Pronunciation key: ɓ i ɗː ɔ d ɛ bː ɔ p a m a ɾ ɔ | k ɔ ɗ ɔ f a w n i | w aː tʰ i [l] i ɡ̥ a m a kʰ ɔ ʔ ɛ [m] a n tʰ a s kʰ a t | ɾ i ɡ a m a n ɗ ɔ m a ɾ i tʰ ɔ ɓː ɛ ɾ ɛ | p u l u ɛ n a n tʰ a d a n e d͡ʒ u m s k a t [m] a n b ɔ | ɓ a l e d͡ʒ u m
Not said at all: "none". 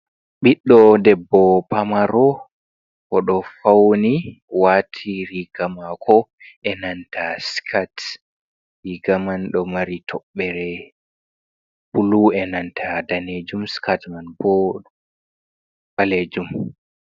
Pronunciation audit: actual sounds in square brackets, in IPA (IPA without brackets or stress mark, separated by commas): ɾ, n, m